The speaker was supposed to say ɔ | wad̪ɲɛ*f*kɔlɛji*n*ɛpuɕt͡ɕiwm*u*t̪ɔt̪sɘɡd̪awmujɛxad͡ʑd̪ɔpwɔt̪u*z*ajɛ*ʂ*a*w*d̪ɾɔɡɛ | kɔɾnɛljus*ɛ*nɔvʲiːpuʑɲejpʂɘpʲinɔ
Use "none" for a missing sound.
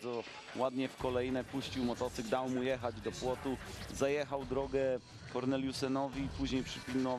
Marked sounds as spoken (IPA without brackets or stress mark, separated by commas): f, n, ɔ, z, x, w, ɛ